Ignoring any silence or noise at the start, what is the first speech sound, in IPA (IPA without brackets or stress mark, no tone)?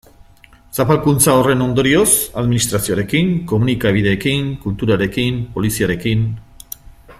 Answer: s